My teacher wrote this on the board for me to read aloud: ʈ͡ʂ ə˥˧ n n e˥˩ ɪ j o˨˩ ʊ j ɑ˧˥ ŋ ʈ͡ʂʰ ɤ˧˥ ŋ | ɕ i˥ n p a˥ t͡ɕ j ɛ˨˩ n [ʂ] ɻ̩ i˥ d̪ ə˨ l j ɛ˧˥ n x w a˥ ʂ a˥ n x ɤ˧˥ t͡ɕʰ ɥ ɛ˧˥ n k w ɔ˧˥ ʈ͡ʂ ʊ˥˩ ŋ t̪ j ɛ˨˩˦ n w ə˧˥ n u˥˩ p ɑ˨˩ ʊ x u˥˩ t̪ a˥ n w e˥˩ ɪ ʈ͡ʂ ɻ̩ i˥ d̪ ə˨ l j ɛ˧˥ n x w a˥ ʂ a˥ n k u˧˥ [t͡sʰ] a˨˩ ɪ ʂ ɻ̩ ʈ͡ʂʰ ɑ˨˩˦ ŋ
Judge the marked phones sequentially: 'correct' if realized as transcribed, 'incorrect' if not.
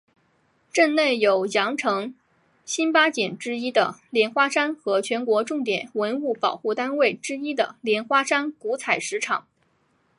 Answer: incorrect: ʈ͡ʂ, correct

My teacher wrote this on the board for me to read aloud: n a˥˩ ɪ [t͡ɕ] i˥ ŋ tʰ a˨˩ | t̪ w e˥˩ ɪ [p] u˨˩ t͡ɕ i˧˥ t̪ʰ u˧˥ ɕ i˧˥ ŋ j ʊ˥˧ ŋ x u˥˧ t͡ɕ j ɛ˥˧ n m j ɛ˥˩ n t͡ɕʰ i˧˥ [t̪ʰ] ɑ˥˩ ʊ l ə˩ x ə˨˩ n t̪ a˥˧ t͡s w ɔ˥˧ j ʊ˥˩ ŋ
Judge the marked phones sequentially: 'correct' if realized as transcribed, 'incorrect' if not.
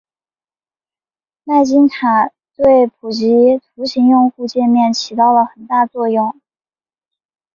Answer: correct, incorrect: pʰ, incorrect: t̪

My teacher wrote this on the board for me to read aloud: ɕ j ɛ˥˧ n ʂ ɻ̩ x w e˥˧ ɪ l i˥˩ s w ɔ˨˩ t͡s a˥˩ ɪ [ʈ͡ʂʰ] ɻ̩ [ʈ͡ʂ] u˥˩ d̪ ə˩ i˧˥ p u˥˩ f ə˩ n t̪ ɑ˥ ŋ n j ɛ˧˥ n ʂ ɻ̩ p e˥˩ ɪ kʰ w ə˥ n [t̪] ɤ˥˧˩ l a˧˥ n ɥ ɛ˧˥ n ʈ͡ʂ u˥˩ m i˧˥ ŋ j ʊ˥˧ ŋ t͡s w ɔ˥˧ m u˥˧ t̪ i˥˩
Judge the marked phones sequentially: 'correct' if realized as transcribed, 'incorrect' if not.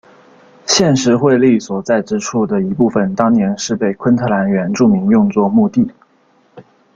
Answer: incorrect: ʈ͡ʂ, incorrect: ʈ͡ʂʰ, incorrect: t̪ʰ

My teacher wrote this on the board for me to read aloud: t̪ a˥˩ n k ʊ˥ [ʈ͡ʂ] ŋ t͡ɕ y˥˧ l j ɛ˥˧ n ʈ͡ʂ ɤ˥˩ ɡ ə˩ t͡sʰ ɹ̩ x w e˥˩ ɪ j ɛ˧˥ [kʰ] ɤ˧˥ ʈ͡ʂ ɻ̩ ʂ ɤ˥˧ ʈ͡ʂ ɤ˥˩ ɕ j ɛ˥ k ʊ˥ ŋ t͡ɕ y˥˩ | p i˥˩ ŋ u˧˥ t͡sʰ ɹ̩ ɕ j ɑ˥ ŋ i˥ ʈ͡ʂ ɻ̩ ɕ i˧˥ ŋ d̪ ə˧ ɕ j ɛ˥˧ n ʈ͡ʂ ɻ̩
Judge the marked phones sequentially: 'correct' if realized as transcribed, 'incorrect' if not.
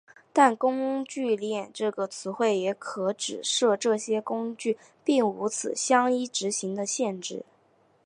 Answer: incorrect: none, correct

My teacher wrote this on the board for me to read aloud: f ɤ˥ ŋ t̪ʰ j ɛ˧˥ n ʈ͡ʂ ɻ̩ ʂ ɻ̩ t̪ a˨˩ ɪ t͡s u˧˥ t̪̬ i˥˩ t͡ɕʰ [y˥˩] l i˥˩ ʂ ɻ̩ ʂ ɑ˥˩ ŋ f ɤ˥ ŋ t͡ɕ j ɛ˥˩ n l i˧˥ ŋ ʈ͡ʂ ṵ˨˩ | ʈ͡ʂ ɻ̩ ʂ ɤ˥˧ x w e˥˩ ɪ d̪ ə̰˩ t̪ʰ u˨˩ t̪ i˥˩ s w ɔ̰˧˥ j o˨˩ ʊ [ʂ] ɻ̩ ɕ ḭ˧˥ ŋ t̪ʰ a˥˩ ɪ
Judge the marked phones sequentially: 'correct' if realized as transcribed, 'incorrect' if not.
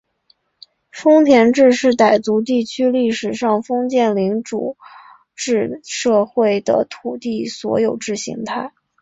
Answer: incorrect: y˥, incorrect: ʈ͡ʂ

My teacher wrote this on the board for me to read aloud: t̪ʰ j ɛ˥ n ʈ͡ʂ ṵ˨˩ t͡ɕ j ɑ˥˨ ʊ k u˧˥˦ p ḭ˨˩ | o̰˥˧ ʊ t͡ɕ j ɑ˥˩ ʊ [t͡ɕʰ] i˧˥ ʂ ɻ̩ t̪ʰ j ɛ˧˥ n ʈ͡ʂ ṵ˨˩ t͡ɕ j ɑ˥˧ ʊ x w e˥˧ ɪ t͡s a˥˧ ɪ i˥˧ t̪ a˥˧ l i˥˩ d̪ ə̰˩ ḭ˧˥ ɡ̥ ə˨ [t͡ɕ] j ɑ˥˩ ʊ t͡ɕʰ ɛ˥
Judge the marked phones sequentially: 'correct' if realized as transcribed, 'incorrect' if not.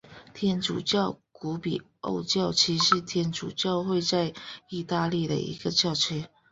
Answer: correct, correct

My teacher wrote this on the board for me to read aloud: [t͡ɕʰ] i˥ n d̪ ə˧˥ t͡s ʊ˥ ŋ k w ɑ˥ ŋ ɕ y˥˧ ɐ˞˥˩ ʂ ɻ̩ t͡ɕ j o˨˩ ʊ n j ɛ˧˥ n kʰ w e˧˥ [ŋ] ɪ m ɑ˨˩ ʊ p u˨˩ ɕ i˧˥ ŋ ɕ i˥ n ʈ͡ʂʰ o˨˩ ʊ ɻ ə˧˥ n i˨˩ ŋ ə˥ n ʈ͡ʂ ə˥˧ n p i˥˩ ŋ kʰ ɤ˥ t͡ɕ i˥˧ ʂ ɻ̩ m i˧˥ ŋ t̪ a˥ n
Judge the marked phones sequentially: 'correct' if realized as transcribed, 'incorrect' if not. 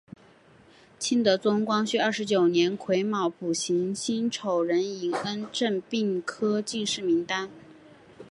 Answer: correct, incorrect: none

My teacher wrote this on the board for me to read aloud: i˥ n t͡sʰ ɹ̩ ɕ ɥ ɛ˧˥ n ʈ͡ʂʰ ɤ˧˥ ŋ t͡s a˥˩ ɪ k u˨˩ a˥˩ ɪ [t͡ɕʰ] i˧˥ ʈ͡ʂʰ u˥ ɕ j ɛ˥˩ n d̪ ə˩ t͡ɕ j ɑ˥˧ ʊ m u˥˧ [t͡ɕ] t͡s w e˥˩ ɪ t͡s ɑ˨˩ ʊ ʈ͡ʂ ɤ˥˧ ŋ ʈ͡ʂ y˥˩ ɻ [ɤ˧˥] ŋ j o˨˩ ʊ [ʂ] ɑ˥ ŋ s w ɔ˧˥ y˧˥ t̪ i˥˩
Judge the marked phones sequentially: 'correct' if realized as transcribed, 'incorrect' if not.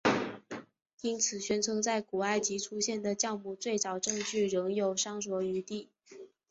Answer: incorrect: t͡ɕ, incorrect: none, correct, correct

